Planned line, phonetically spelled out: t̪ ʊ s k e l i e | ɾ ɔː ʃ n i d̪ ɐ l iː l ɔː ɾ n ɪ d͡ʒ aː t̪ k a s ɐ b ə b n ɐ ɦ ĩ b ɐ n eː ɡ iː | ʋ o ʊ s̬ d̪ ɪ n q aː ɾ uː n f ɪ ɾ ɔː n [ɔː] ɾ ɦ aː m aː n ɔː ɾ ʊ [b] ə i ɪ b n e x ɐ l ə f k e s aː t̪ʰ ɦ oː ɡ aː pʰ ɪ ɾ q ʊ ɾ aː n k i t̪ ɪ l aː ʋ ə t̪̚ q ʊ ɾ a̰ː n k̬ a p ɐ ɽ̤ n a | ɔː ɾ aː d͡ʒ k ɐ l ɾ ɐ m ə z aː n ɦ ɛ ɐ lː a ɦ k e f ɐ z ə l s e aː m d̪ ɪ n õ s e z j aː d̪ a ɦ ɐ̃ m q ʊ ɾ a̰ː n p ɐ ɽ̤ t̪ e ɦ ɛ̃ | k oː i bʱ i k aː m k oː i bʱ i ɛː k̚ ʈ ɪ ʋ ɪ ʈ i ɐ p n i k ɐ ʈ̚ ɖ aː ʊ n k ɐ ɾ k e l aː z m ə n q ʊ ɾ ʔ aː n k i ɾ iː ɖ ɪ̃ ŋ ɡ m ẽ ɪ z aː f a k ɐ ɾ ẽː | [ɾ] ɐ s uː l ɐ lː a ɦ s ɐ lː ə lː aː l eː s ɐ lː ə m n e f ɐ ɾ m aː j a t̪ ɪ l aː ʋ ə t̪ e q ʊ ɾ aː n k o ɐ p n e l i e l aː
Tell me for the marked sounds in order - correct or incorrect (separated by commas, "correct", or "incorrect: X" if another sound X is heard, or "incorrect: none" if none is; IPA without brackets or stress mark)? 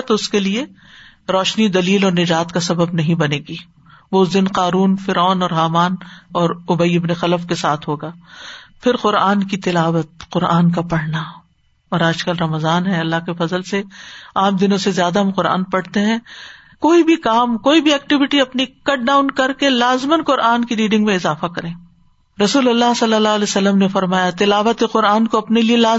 correct, correct, correct